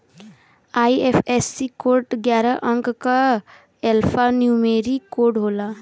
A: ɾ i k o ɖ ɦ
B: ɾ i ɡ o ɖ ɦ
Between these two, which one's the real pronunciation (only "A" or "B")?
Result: A